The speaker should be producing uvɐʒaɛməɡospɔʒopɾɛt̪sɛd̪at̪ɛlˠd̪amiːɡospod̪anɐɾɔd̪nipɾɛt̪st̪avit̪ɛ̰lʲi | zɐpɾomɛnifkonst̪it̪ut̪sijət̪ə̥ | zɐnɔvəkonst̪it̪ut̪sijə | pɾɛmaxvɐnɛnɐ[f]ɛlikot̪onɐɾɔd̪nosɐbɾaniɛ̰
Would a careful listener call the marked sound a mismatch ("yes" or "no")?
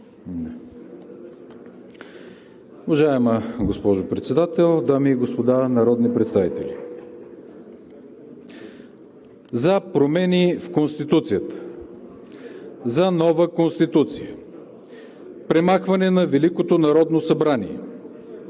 yes